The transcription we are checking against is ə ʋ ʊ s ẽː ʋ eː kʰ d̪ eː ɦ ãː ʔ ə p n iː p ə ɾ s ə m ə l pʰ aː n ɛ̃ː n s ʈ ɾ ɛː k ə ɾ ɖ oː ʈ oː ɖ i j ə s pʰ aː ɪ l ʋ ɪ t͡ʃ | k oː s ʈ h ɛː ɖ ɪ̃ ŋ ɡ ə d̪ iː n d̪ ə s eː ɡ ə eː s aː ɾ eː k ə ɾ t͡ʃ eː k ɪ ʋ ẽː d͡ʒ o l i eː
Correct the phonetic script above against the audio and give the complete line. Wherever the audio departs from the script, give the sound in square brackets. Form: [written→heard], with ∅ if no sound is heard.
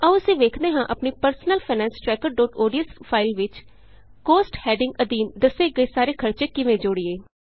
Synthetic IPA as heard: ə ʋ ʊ s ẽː ʋ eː kʰ d̪ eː ɦ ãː ʔ ə p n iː p ə ɾ s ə [m→n] ə l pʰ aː n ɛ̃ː n s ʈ ɾ ɛː k ə ɾ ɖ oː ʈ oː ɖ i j ə s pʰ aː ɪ l ʋ ɪ t͡ʃ | k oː s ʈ h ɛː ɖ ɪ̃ ŋ ɡ ə d̪ iː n d̪ ə s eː ɡ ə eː s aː ɾ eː [k→kʰ] ə ɾ t͡ʃ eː k ɪ ʋ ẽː d͡ʒ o [l→ɽ] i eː